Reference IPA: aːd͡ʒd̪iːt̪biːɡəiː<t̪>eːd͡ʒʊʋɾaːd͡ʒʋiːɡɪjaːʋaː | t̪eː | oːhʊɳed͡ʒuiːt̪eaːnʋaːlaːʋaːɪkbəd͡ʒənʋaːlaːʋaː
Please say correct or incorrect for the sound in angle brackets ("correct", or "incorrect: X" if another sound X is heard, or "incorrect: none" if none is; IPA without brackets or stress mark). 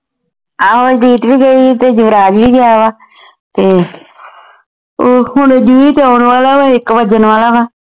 correct